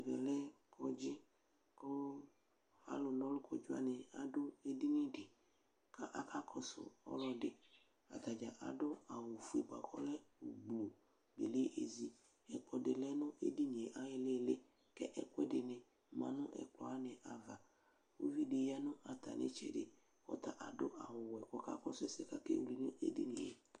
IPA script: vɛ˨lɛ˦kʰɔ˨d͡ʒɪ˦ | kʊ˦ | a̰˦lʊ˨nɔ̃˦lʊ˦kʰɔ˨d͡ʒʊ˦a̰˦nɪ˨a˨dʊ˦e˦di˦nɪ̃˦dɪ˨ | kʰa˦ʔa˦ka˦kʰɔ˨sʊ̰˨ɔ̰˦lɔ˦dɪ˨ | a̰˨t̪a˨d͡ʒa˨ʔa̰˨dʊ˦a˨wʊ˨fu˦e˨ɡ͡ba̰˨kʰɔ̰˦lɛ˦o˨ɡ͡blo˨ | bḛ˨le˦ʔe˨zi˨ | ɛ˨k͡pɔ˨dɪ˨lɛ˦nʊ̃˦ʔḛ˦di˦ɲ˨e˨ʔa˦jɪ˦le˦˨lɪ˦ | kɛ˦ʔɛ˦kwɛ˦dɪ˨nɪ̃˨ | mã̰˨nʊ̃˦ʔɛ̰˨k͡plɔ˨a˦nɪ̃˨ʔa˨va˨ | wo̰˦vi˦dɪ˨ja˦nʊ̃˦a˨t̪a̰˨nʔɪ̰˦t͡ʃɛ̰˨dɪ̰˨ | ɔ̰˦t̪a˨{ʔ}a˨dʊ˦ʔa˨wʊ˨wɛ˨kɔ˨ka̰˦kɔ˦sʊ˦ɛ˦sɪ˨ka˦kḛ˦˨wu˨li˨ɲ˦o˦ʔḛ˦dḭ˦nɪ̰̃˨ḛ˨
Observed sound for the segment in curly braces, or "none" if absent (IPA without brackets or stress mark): ʔ